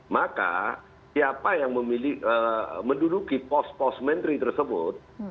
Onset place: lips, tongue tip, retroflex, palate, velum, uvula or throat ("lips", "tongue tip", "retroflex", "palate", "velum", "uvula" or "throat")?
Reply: lips